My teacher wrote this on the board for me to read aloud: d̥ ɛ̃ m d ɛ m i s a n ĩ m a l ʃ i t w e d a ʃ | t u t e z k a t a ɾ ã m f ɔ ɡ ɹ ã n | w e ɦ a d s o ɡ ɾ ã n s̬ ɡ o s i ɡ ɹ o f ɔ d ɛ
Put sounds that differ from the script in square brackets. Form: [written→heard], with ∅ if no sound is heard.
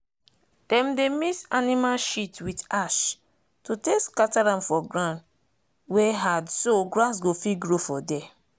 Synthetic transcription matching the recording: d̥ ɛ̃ m d [ɛ→e] m i s a n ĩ m a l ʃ i t w [e→i] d a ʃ | t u t e [z→s] k a t a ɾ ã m f ɔ ɡ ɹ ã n | w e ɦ a d s o ɡ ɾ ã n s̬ ɡ o [s→f] i ɡ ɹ o f ɔ d ɛ